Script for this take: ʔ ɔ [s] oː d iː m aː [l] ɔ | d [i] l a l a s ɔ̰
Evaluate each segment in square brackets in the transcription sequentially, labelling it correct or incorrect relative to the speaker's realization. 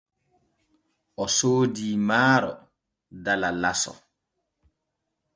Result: correct, incorrect: ɾ, incorrect: a

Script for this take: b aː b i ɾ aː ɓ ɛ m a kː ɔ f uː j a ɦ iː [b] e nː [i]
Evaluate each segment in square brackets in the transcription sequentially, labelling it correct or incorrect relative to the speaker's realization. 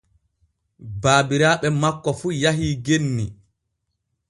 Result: incorrect: ɡ, correct

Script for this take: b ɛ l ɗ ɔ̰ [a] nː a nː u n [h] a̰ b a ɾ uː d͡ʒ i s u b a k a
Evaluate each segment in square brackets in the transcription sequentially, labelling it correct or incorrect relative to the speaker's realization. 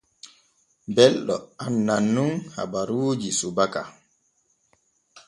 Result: correct, correct

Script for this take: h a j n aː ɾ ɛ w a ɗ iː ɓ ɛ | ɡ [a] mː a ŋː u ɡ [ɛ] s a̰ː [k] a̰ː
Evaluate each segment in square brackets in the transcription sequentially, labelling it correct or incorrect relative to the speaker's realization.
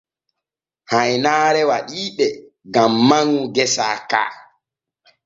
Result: correct, correct, correct

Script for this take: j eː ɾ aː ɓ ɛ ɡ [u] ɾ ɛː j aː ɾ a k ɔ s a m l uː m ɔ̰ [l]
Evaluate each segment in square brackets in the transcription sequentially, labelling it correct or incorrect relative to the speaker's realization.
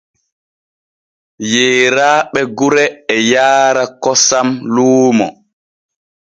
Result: correct, incorrect: none

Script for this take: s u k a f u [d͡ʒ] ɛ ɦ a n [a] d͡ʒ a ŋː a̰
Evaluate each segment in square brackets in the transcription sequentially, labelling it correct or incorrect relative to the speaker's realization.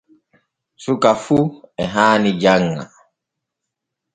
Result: incorrect: none, incorrect: i

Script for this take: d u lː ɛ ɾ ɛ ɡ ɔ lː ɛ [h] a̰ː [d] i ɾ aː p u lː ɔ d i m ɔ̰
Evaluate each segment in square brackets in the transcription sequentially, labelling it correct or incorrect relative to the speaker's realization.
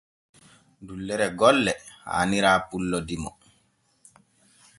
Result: correct, incorrect: n

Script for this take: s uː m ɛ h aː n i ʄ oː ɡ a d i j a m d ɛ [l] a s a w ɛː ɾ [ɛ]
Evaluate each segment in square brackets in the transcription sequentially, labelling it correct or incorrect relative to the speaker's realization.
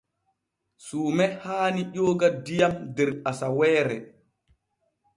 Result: incorrect: ɾ, correct

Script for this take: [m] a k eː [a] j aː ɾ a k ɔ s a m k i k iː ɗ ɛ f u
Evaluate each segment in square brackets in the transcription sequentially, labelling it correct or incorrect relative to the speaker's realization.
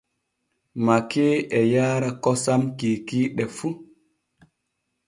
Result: correct, incorrect: ɛ

